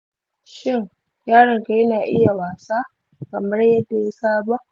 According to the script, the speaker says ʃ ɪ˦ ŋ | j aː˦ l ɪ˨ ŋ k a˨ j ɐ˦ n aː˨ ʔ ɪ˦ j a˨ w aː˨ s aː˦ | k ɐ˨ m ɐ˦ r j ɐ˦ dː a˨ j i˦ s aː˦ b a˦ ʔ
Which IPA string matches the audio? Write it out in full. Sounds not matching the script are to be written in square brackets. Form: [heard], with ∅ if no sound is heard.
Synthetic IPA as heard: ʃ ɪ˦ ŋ | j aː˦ [ɽ] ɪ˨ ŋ k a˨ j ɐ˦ n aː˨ ʔ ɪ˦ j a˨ w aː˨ s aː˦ | k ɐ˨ m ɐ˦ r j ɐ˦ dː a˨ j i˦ s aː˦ b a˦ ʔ